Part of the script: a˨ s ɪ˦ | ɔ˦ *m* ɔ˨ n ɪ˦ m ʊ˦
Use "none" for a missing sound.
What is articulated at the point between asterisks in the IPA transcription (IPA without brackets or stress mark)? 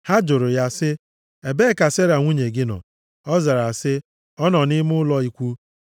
n